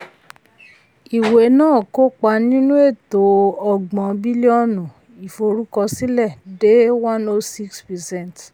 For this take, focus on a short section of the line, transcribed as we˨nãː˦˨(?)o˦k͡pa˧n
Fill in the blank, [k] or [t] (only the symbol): k